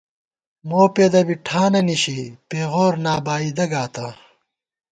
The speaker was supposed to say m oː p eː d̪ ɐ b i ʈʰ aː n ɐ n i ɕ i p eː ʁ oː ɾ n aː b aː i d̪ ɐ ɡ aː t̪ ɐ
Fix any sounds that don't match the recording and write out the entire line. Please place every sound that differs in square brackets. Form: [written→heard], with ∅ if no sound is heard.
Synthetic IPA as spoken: m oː p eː d̪ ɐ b i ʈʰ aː n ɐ n i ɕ i p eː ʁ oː ɾ n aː b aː i d̪ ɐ ɡ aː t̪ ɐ